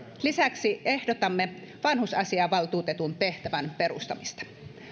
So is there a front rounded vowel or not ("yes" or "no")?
no